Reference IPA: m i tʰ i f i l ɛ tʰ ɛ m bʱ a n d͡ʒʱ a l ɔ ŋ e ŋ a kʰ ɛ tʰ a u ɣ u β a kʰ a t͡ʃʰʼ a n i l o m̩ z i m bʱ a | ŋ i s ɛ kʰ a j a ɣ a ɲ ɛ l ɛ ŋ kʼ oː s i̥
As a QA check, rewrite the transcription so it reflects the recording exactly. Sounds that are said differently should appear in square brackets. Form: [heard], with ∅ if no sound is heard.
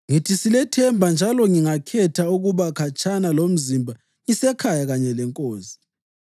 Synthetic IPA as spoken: [ŋ] i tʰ i [s] i l ɛ tʰ ɛ m bʱ a n d͡ʒʱ a l ɔ ŋ [i] ŋ a kʰ ɛ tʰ a u ɣ u β a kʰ a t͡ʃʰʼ a n [a] l o m̩ z i m bʱ a | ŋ i s ɛ kʰ a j a ɣ a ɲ ɛ l ɛ ŋ kʼ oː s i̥